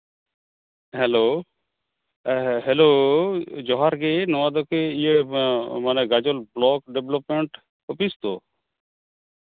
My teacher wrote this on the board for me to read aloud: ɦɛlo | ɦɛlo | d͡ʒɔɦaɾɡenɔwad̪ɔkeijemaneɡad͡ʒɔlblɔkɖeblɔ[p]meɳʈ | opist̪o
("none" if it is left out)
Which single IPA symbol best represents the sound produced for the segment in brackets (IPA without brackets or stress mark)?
p